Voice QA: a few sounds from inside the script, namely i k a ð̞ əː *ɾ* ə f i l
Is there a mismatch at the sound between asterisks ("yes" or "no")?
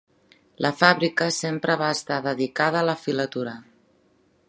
yes